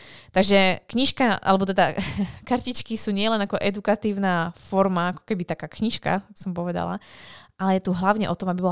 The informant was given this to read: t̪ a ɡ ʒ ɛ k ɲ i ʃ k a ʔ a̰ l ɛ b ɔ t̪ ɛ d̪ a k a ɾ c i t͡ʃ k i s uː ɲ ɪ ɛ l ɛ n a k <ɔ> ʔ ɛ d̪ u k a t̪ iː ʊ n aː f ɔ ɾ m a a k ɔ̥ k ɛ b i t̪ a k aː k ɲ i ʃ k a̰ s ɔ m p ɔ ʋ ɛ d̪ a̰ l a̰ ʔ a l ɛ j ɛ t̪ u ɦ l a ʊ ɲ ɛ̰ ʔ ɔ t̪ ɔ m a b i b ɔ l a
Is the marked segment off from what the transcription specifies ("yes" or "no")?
no